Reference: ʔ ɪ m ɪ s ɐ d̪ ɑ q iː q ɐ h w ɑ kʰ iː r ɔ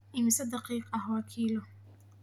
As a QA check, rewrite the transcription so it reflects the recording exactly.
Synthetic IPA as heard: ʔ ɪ m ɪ s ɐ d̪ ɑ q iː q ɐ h w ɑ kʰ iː l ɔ